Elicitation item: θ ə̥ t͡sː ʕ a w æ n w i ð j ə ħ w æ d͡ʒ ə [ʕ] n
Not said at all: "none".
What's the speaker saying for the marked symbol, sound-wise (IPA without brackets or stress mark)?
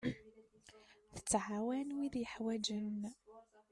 none